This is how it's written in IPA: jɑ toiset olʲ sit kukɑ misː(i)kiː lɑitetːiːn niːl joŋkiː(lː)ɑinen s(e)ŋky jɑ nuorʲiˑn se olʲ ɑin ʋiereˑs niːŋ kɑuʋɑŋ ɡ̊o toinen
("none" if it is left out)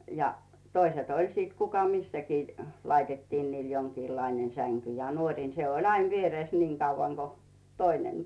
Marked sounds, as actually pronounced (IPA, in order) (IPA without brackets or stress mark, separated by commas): æ, lː, æ